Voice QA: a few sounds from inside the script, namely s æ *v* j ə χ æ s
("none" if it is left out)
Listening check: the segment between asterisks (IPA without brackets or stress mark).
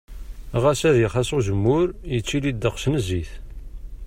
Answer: ð